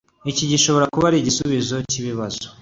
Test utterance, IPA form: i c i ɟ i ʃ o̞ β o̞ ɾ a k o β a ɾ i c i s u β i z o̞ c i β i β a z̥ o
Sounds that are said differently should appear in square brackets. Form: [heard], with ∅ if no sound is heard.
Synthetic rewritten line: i c i ɟ i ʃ o̞ β o̞ ɾ a k [u] β a ɾ i [ɟ] i s u β i z o̞ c i β i β a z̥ o